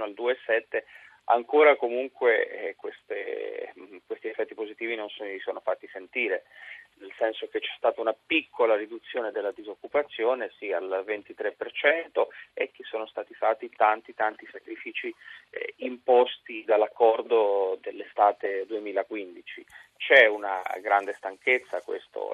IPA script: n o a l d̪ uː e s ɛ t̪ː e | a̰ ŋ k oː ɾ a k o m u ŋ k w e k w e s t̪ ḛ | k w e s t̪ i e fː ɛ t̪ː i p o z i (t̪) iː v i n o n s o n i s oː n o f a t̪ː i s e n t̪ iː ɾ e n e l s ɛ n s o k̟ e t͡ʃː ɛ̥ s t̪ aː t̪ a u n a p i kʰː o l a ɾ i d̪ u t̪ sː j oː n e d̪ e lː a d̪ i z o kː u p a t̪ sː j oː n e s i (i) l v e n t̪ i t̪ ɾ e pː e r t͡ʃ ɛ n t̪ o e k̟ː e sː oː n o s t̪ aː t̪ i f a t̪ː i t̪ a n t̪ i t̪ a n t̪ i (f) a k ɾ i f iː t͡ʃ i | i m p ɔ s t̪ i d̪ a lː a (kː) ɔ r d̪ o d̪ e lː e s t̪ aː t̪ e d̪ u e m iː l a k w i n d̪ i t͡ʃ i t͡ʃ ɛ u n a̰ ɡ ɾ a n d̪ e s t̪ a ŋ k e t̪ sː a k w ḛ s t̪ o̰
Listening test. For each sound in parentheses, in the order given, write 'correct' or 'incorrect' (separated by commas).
correct, incorrect, incorrect, correct